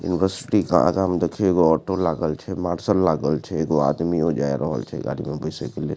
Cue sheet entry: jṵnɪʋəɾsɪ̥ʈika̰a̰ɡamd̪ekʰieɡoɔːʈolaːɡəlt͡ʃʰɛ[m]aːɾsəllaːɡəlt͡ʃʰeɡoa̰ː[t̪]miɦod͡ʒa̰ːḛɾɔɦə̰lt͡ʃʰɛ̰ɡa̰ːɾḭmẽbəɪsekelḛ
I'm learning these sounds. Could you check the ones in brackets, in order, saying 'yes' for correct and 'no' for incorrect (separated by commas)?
yes, no